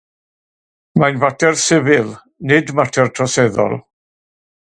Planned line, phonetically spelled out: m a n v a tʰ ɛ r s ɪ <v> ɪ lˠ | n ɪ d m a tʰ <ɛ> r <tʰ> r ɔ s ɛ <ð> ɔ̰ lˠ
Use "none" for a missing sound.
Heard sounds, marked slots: v, ɛ, tʰ, ð

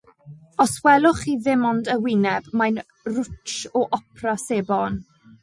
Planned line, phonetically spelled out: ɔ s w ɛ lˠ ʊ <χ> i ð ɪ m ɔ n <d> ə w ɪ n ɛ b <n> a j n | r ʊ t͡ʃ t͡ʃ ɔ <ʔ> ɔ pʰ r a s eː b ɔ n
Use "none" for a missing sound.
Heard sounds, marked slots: χ, d, m, ʔ

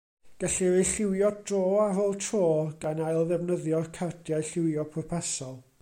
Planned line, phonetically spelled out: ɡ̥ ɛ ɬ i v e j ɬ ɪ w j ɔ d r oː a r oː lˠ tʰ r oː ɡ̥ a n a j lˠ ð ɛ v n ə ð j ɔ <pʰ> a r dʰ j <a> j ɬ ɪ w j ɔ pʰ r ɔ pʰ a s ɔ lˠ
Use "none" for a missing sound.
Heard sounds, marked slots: kʰ, a

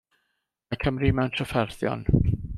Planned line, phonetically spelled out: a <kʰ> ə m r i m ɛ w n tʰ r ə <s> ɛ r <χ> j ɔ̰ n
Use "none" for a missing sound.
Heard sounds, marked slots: kʰ, f, θ

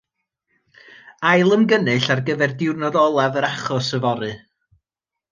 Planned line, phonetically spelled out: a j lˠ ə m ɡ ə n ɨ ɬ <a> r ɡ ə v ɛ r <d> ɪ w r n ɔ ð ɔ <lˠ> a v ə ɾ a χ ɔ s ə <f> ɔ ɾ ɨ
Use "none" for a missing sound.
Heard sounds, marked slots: a, d, lˠ, v

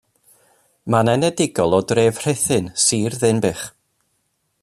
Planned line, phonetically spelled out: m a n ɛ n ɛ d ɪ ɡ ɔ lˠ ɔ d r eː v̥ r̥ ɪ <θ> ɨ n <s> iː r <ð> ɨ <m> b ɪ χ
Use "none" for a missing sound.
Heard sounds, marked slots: θ, s, ð, n

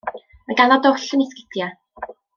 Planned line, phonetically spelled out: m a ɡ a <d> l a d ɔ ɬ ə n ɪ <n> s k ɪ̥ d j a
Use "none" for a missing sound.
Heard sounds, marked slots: none, none

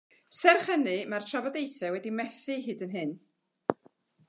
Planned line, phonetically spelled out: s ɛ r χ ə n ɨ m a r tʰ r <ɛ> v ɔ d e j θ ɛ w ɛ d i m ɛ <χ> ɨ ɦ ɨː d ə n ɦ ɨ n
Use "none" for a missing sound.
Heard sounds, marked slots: a, θ

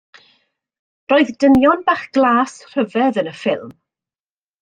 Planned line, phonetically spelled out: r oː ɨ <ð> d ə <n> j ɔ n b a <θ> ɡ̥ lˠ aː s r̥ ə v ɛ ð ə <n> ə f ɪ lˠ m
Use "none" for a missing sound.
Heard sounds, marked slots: ð, n, χ, n

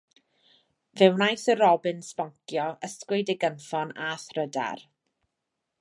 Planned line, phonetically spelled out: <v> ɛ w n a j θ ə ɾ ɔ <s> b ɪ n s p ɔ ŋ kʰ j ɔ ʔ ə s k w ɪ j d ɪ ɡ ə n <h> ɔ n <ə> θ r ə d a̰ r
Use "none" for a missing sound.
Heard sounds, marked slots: v, none, f, a

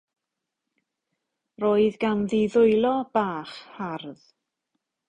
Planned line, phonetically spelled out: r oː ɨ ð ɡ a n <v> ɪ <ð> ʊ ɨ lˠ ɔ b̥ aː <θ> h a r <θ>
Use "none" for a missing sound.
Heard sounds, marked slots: ð, ð, χ, ð

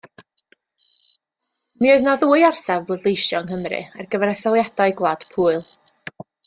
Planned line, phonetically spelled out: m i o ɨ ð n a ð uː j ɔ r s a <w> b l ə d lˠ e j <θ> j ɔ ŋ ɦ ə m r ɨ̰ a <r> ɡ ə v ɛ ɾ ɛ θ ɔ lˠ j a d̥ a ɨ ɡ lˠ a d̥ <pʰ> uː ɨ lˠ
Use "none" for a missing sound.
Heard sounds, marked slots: v, ʃ, r, pʰ

